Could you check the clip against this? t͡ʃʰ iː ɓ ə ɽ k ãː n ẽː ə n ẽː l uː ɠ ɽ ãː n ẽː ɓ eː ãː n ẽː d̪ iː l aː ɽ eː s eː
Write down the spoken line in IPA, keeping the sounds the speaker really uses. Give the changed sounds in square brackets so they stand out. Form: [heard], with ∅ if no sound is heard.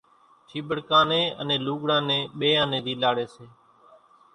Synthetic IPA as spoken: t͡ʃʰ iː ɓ ə ɽ k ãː n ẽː ə n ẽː l uː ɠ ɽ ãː n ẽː ɓ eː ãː n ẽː d̪ iː l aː ɽ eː s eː